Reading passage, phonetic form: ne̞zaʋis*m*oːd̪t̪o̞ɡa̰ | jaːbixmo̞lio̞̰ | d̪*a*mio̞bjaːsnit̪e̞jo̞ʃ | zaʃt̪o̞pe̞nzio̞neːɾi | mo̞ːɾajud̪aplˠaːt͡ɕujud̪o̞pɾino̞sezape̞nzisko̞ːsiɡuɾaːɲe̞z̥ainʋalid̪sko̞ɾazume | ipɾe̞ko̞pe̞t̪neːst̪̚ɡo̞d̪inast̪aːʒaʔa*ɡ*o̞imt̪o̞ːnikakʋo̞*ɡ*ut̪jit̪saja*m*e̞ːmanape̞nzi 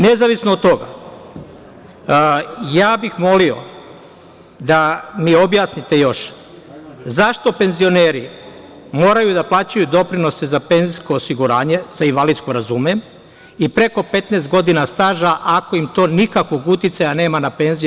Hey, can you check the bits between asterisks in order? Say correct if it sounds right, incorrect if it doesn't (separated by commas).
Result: incorrect, correct, incorrect, correct, incorrect